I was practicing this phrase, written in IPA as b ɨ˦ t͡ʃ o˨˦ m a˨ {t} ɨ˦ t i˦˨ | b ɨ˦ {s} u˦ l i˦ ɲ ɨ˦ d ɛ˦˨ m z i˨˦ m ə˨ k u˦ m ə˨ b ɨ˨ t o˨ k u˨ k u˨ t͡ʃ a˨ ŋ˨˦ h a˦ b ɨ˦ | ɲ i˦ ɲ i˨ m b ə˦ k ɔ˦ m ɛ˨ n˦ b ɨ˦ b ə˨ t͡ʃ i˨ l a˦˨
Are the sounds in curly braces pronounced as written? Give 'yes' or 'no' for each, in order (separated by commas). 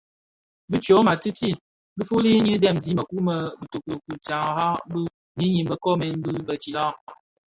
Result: yes, no